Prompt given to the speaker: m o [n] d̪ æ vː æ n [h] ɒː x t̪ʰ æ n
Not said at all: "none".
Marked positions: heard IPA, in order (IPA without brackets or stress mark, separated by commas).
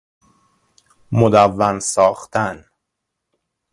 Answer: none, s